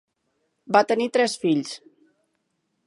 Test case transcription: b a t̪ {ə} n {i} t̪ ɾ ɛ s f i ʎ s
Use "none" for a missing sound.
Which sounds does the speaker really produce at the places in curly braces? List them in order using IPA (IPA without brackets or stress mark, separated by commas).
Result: ə, i